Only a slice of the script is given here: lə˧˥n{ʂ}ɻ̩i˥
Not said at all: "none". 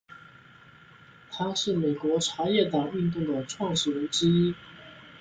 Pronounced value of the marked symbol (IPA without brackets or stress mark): ʈ͡ʂ